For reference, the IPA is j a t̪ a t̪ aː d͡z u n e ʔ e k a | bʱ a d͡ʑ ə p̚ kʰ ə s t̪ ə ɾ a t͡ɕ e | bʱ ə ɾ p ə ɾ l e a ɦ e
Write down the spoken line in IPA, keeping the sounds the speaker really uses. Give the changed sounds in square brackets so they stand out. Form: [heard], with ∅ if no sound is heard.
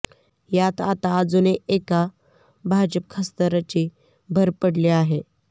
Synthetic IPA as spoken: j a t̪ a t̪ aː d͡z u n e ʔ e k a | bʱ a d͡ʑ ə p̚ kʰ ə s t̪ ə ɾ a t͡ɕ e | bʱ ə ɾ p ə [ɽ] l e a ɦ e